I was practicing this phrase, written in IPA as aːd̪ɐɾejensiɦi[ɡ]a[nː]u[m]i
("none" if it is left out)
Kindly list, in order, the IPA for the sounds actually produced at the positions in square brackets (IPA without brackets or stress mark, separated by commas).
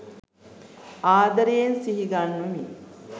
ɡ, nː, m